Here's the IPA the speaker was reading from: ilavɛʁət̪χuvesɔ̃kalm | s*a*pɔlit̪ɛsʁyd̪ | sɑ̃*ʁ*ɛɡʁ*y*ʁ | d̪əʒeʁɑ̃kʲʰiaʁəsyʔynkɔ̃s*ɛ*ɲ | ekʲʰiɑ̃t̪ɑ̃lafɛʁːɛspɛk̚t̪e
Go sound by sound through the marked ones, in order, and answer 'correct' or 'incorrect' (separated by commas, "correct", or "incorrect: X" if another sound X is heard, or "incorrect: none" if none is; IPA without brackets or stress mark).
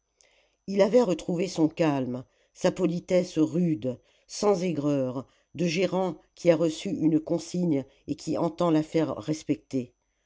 correct, incorrect: z, incorrect: œ, incorrect: i